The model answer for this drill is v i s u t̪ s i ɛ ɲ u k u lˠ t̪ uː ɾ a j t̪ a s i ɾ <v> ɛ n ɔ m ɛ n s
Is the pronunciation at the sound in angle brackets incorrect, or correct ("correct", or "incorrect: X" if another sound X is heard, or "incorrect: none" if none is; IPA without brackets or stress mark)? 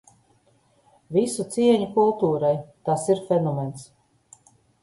incorrect: f